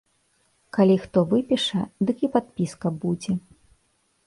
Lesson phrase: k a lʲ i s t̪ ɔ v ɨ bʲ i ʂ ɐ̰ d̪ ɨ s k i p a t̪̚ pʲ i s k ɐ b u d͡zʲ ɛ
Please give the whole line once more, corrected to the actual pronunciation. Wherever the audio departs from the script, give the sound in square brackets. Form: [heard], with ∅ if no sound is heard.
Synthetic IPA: k a lʲ i [x] t̪ ɔ v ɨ [pʲ] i ʂ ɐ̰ d̪ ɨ [∅] k i p a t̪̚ pʲ i s k ɐ b u d͡zʲ ɛ